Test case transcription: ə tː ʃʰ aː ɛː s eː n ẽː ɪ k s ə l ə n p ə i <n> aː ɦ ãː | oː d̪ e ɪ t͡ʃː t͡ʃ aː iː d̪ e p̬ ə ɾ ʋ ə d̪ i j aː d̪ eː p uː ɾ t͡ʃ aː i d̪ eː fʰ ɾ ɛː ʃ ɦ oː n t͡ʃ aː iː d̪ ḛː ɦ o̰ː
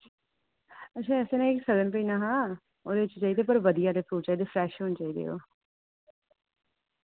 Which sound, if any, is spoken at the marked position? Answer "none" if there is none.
n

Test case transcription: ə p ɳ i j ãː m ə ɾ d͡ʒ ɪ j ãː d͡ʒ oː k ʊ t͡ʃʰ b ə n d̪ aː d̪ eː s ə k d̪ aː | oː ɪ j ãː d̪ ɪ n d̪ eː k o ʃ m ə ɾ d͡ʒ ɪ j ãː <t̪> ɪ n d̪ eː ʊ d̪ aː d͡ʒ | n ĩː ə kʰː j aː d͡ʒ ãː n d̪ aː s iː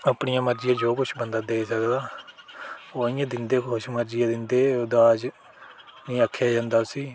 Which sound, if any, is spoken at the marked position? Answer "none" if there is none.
d̪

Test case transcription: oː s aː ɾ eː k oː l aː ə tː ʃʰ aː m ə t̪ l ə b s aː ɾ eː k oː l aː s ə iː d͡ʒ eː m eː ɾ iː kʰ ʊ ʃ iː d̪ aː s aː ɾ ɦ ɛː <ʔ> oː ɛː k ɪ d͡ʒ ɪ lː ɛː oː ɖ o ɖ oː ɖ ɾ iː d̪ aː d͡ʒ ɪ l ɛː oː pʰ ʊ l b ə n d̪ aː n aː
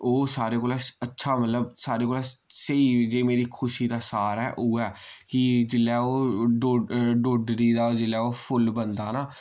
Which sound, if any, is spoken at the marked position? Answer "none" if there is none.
ʔ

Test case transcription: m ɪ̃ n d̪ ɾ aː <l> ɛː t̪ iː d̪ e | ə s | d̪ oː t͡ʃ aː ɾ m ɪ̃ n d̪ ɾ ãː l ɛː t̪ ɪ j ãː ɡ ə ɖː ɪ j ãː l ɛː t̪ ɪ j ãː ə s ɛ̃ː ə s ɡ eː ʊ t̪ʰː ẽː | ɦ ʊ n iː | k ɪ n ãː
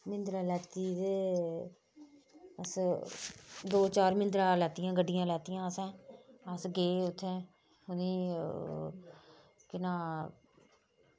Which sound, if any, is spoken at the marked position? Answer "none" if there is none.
l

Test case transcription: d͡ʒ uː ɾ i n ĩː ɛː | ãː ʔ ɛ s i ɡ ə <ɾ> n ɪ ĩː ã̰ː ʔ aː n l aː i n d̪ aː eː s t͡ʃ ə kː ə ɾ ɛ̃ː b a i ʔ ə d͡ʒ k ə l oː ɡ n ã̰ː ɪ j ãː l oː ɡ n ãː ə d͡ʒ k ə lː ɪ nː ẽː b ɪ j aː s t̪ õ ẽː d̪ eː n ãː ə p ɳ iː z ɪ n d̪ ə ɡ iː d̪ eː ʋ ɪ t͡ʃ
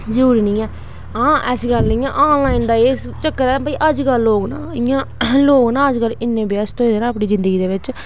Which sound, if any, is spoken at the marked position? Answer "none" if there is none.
l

